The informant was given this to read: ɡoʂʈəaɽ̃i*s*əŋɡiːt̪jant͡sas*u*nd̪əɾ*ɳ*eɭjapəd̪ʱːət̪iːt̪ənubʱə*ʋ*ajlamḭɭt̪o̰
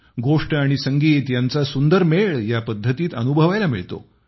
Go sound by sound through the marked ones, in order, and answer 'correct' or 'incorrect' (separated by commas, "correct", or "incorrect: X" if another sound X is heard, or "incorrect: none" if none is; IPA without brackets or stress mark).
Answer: correct, correct, incorrect: m, correct